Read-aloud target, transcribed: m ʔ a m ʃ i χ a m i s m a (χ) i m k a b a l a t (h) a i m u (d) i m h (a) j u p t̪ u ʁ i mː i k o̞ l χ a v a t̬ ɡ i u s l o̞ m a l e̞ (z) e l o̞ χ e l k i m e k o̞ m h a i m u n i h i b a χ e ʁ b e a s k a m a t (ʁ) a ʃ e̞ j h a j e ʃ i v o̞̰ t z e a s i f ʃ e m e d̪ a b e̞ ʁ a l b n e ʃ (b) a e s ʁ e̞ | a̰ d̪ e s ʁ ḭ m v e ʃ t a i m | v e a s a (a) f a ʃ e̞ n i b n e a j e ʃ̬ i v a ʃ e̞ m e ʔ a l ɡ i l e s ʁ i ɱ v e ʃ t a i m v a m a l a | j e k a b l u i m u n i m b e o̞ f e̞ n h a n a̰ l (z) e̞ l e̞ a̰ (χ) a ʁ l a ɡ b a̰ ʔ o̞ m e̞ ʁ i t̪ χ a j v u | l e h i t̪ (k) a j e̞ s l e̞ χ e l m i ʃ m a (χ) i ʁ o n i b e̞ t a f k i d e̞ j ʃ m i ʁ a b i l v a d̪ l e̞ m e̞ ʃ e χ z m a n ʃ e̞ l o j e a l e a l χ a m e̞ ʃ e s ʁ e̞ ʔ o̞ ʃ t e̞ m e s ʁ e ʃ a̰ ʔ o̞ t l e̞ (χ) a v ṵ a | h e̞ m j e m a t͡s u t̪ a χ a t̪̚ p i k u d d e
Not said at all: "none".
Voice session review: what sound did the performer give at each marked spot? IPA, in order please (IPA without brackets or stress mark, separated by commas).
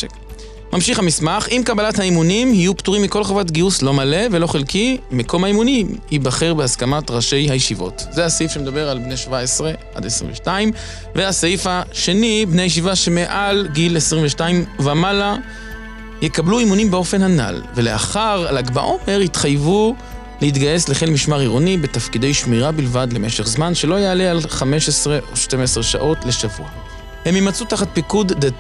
χ, h, n, i, v, ʁ, v, i, v, χ, ɡ, ʁ, ʃ